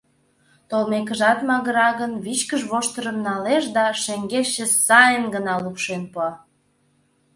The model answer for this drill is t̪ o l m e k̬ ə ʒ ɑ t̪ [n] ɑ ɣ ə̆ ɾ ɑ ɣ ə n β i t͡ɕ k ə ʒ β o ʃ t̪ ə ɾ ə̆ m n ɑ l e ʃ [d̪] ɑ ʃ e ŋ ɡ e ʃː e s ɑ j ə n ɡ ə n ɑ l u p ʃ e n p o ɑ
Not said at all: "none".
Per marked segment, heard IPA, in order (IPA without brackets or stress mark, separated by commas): m, d̪